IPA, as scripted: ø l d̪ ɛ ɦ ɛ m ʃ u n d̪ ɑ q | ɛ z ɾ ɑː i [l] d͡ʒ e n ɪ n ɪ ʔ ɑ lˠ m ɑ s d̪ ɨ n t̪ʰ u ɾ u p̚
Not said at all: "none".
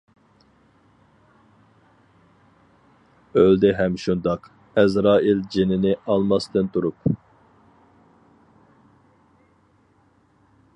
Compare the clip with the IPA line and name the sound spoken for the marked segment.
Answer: l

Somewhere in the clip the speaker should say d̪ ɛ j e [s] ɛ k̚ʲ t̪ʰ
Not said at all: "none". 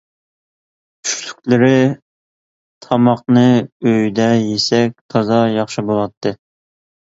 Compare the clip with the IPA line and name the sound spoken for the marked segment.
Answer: s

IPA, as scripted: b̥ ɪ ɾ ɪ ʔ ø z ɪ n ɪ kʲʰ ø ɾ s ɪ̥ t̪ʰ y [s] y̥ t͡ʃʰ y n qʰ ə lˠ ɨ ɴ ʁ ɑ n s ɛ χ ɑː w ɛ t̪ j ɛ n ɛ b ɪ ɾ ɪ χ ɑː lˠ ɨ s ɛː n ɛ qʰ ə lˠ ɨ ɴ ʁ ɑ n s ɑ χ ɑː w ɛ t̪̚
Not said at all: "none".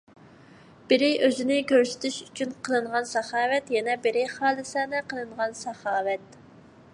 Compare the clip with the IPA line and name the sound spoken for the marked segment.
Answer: ʃ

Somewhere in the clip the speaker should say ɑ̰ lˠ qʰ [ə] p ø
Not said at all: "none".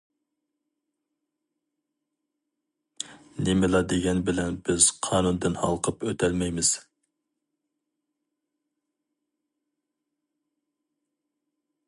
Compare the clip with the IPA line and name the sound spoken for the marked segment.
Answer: ə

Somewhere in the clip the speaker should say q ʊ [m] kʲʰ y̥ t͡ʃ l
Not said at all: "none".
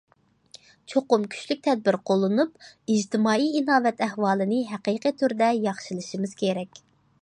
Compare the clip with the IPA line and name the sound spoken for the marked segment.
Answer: m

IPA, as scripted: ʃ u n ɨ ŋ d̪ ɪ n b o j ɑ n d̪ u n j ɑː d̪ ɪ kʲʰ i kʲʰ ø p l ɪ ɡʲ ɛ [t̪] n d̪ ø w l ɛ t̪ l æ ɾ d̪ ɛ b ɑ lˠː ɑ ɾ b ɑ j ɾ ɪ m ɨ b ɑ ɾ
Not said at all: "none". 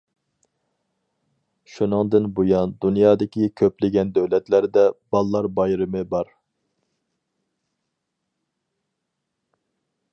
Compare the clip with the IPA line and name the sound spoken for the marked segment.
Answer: none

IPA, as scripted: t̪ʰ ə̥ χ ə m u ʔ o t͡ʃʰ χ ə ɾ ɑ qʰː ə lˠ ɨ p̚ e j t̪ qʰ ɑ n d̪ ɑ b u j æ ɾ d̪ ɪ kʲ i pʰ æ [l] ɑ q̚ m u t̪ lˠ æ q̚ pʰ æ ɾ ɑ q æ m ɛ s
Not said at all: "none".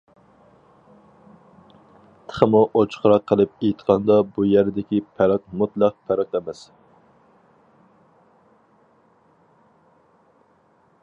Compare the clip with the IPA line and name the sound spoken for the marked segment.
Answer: ɾ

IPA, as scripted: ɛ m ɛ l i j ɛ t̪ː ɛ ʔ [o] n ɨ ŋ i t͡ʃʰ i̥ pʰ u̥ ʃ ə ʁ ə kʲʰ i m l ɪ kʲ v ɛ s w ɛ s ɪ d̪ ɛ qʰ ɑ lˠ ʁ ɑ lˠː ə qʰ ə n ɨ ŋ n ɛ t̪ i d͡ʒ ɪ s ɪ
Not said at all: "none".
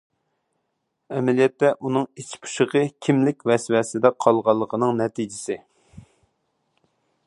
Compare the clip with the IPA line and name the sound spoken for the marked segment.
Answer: u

